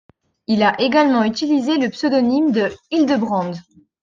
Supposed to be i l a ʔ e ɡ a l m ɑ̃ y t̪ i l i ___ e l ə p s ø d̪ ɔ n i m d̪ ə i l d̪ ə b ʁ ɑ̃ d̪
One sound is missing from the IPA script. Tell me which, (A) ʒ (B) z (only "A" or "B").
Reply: B